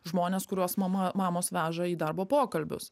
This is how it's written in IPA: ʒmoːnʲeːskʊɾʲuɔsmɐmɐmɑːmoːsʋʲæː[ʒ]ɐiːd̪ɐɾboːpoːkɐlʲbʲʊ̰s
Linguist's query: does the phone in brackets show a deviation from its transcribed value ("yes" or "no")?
no